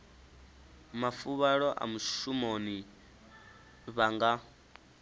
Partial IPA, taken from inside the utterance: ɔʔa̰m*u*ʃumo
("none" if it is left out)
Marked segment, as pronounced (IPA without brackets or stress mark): u